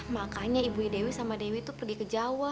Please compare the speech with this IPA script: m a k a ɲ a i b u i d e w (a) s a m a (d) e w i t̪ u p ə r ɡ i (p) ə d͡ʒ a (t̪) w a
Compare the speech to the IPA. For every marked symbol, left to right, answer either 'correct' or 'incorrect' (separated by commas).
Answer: incorrect, correct, incorrect, incorrect